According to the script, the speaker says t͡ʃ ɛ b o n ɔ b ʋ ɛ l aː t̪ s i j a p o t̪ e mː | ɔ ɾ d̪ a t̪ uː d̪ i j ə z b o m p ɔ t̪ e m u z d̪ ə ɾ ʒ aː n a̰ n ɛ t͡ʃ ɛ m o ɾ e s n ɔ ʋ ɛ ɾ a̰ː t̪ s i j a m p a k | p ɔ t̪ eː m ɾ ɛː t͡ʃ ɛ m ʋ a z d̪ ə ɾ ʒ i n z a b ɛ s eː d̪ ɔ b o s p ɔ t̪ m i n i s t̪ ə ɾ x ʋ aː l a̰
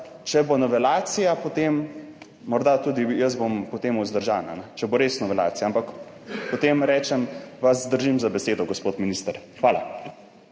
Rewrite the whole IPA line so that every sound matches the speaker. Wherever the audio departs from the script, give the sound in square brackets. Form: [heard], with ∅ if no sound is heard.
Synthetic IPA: t͡ʃ ɛ b o n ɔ [∅] ʋ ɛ l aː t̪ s i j a p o t̪ e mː | ɔ ɾ d̪ a t̪ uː d̪ i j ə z b o m p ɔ t̪ e m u z d̪ ə ɾ ʒ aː n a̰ n ɛ t͡ʃ ɛ [b] o ɾ e s n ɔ ʋ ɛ [l] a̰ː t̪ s i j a m p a k | p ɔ t̪ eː m ɾ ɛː t͡ʃ ɛ m ʋ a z d̪ ə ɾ ʒ i [m] z a b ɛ s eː d̪ ɔ [ɡ] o s p [o] t̪ m i n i s t̪ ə ɾ x ʋ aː l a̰